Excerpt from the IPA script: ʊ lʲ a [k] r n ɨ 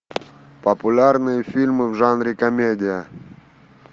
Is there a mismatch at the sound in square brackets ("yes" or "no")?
yes